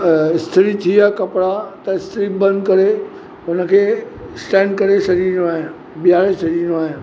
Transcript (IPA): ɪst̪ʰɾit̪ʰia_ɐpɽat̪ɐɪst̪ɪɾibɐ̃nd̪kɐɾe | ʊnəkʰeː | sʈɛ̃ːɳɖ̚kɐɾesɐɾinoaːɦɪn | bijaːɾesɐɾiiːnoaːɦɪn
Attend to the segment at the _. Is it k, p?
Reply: k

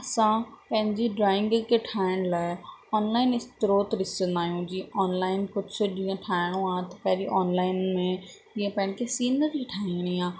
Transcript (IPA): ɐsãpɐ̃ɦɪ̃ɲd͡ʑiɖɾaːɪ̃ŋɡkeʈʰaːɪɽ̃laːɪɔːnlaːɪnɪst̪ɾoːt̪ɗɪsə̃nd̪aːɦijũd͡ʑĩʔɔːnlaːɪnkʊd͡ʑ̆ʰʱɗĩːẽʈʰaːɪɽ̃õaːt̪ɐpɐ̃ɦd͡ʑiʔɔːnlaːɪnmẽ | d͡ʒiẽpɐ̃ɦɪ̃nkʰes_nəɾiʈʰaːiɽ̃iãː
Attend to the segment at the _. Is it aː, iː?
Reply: iː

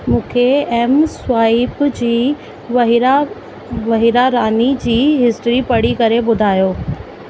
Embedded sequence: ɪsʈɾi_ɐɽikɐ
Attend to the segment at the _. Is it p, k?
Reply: p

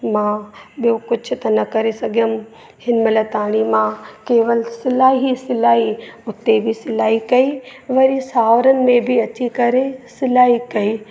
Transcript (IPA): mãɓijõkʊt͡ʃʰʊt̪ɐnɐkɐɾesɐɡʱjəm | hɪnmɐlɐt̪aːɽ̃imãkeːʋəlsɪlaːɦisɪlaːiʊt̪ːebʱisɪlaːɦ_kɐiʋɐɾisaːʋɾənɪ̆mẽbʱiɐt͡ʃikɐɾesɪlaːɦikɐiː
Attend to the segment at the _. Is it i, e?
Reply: i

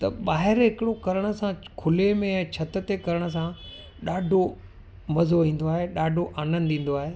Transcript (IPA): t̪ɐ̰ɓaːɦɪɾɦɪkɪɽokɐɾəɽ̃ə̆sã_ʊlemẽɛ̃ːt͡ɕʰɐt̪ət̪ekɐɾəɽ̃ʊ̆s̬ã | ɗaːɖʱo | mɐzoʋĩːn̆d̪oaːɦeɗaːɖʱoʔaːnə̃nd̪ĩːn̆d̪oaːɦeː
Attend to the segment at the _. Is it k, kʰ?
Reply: kʰ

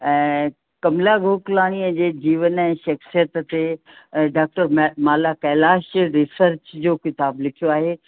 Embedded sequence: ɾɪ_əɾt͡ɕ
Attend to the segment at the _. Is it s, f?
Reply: s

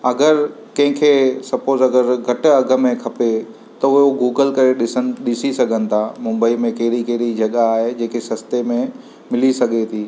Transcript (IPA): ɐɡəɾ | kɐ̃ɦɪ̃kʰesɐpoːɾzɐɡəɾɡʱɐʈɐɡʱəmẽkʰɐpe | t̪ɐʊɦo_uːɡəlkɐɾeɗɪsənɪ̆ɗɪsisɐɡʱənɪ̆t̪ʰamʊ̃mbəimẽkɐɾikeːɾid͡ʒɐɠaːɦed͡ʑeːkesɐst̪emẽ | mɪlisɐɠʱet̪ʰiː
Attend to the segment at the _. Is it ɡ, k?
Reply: ɡ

